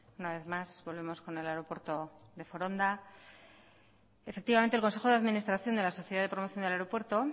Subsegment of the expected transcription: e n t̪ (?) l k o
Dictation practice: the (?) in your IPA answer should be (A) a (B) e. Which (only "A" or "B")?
B